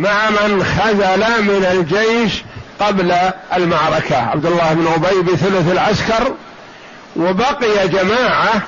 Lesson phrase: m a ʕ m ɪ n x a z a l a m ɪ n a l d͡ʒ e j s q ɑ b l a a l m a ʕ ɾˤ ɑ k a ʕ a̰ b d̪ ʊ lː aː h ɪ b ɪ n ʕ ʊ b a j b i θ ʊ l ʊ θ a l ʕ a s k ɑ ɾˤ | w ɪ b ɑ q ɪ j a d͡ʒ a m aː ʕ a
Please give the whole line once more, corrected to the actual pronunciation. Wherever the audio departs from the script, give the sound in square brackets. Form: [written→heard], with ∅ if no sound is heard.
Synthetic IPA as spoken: m a ʕ m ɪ n x a z a l a m ɪ n a l d͡ʒ e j [s→ʃ] q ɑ b l a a l m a ʕ ɾˤ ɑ k a ʕ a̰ b d̪ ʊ lː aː h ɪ b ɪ n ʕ ʊ b a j b i θ ʊ l ʊ θ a l ʕ a s k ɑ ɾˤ | w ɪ b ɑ q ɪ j a d͡ʒ a m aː ʕ a